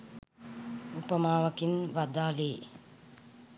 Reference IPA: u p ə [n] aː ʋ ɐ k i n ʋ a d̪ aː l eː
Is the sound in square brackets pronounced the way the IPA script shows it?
no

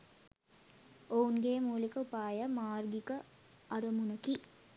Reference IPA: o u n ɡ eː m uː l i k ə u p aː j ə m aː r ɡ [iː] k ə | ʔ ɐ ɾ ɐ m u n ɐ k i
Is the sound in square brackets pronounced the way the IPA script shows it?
no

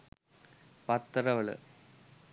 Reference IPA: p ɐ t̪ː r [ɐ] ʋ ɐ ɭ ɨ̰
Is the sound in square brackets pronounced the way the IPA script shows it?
yes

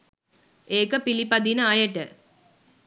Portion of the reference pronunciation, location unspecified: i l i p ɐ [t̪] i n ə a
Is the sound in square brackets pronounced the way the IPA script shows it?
no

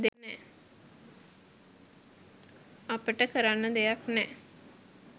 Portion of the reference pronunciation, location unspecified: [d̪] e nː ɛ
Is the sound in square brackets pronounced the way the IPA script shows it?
yes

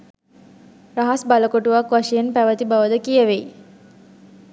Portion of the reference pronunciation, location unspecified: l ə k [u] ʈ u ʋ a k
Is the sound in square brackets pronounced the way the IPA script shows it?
no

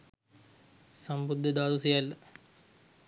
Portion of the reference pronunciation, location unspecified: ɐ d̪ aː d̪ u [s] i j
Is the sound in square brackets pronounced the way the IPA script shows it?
yes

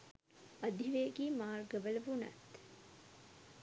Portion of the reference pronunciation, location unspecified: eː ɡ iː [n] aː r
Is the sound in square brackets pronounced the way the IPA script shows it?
no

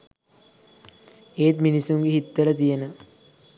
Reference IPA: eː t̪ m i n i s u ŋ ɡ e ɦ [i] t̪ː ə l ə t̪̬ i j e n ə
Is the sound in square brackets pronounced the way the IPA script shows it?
yes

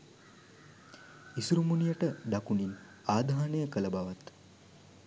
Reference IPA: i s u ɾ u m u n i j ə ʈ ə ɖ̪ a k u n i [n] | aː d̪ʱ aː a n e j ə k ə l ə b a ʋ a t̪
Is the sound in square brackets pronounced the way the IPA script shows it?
yes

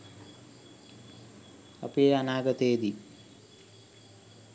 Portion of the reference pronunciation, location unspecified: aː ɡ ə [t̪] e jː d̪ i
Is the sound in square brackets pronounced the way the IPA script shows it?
yes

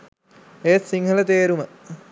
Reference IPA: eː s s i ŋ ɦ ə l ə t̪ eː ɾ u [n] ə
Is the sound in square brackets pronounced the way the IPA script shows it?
no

